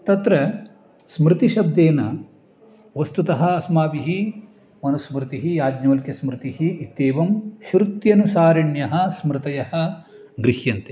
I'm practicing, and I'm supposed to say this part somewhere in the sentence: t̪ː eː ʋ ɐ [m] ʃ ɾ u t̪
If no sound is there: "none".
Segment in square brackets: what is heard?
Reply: m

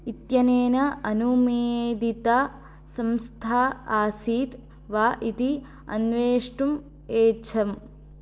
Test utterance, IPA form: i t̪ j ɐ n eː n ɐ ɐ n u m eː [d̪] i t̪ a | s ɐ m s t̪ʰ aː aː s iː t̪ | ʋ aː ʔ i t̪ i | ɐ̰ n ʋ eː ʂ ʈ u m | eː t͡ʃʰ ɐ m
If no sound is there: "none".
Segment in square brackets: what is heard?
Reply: d̪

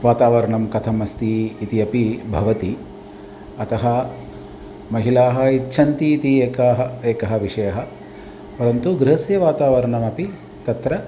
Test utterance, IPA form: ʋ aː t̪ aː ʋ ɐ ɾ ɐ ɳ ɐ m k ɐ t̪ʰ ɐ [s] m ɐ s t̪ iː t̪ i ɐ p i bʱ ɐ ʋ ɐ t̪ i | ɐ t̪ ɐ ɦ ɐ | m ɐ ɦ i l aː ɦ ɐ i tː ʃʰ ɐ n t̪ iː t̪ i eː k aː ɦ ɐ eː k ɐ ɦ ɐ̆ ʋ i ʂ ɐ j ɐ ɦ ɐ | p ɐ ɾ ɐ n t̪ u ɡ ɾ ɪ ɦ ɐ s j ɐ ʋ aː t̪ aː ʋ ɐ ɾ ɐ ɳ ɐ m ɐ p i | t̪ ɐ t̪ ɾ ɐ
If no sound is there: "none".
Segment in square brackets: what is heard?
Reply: none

